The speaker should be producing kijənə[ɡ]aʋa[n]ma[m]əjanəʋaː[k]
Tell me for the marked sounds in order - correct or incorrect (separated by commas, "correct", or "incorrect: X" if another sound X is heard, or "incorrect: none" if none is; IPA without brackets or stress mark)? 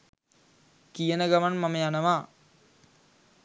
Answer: correct, correct, correct, incorrect: none